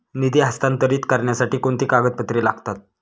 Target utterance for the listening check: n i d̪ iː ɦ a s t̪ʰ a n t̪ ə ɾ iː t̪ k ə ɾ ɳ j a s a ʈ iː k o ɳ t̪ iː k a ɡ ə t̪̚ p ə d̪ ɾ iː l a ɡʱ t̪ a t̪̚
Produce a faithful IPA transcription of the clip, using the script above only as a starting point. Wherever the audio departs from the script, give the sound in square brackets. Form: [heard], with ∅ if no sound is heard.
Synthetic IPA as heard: n i d̪ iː ɦ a s [t̪] a n t̪ ə ɾ iː t̪ k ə ɾ ɳ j a s a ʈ iː k o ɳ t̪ iː k a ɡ ə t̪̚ p ə [t̪] ɾ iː l a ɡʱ t̪ a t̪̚